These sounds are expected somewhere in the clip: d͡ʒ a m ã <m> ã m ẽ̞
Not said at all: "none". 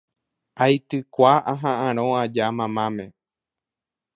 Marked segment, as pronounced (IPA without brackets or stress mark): m